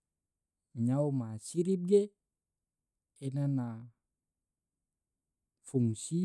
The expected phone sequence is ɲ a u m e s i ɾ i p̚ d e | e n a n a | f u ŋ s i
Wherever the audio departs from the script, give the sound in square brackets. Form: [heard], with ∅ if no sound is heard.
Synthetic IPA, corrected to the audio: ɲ a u m [a] s i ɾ i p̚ [ɡ] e | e n a n a | f u ŋ s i